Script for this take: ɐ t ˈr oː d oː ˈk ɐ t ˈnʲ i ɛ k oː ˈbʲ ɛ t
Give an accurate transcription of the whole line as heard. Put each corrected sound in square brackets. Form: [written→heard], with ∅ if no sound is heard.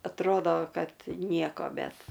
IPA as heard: ɐ t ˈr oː d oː ˈk ɐ t ˈnʲ i ɛ k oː ˈbʲ ɛ t